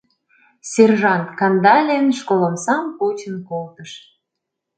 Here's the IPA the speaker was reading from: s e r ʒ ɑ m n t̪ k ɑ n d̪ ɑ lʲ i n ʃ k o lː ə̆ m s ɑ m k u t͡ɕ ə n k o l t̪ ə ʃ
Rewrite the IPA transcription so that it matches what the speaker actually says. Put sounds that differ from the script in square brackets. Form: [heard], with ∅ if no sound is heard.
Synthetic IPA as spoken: s e r ʒ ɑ [∅] n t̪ k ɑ n d̪ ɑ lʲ [e] n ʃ k o [l] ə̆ m s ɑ m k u t͡ɕ ə n k o l t̪ ə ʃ